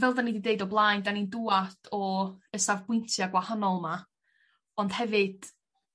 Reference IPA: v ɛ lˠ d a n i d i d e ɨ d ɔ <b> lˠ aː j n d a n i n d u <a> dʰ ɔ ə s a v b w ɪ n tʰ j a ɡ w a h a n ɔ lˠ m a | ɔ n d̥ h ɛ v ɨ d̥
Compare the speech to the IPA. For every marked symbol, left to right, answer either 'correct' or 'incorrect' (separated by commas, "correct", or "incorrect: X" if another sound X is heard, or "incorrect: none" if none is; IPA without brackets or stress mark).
correct, correct